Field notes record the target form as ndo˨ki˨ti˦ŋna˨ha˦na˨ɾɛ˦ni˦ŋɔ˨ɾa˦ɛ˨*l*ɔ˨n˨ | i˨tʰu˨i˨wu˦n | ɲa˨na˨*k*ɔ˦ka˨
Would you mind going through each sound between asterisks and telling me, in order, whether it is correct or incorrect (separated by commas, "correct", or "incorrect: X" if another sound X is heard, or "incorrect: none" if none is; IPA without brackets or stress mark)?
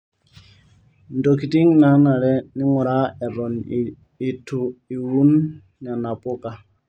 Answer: incorrect: ɾ, incorrect: p